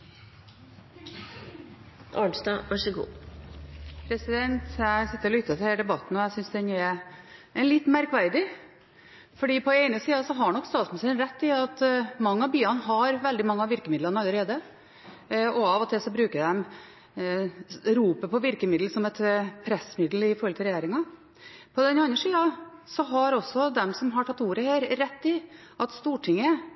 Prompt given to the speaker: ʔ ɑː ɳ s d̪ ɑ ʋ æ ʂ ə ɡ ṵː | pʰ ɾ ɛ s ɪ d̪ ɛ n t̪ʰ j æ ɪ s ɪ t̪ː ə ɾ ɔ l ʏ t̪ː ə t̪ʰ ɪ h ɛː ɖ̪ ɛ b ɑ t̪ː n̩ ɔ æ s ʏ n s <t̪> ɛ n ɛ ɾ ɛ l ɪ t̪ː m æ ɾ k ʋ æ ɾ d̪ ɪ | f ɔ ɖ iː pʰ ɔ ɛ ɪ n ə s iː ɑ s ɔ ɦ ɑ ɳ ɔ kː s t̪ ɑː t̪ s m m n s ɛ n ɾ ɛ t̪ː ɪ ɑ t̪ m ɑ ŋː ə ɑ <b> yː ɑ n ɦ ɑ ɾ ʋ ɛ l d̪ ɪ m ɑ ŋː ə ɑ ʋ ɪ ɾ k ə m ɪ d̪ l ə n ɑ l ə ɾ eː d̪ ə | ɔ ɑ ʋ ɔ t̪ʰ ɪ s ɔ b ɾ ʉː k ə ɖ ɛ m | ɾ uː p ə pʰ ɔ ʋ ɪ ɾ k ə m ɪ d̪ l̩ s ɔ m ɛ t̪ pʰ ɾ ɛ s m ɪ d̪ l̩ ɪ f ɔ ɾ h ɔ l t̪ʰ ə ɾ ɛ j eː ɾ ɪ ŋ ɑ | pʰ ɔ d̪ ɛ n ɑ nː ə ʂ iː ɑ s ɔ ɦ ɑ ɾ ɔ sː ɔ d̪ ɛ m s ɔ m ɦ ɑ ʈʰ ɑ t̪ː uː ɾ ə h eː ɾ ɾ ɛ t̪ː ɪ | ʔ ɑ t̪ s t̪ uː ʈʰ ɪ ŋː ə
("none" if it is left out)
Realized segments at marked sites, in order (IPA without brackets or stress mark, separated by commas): d̪, b